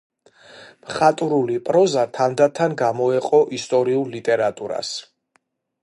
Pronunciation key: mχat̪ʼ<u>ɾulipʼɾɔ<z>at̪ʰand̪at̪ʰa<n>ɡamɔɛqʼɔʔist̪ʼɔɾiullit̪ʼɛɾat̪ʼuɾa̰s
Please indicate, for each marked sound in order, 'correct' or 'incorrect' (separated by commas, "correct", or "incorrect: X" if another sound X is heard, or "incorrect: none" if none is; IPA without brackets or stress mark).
correct, correct, correct